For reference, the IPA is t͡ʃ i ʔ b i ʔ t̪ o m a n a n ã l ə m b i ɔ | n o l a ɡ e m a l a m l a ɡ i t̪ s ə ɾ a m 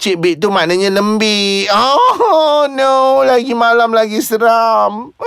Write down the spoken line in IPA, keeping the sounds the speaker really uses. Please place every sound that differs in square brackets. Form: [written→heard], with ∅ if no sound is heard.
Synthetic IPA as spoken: t͡ʃ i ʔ b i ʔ t̪ [o→u] m a n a [n→ɲ] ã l ə m b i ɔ | n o l a ɡ [e→i] m a l a m l a ɡ i [t̪→∅] s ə ɾ a m